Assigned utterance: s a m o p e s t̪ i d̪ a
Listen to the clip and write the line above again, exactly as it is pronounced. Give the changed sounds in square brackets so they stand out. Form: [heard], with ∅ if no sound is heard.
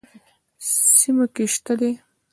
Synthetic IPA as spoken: s [i] m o [k] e [ʃ] t̪ [a] d̪ [e]